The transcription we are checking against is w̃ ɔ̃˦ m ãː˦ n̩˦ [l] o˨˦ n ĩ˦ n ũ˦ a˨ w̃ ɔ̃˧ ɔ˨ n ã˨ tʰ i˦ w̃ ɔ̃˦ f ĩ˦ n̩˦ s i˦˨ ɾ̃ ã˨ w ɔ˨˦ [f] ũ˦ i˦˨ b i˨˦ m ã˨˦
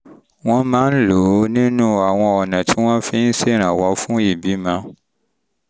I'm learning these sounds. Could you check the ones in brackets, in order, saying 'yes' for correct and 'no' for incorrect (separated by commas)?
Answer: yes, yes